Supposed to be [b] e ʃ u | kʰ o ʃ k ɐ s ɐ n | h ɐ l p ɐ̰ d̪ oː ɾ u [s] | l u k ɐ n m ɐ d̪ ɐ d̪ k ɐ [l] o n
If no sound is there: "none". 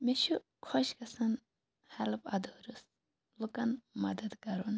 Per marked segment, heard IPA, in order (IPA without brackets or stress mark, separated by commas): m, s, ɾ